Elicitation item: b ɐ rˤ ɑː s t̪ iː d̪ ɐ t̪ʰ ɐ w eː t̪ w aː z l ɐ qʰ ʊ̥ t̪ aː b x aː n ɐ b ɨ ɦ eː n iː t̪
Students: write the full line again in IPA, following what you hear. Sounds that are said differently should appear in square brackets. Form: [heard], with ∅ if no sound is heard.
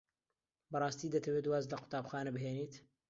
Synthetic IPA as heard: b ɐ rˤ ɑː s t̪ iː d̪ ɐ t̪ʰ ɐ w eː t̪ w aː z l ɐ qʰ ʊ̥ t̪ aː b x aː n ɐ b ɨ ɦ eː n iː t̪

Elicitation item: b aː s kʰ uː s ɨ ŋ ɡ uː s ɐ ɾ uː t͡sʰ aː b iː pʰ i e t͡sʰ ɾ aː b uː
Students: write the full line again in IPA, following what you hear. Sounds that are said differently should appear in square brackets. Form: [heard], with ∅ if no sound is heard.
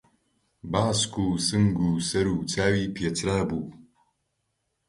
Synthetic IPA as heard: b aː s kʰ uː s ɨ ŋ ɡ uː s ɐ ɾ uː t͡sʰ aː [w] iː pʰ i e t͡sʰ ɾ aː b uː

